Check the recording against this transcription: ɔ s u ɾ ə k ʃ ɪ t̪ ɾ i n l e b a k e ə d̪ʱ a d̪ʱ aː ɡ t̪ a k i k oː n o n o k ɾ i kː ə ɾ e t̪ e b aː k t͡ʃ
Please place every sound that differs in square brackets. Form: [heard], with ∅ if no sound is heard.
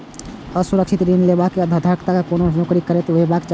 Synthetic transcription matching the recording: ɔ s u ɾ ə k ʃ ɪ t̪ ɾ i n l e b a k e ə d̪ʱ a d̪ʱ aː [k] t̪ a k [a] k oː n o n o k ɾ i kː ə ɾ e t̪ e b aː k t͡ʃ